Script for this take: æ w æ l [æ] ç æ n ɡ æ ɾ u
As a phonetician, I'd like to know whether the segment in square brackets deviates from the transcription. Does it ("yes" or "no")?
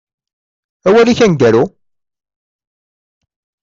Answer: yes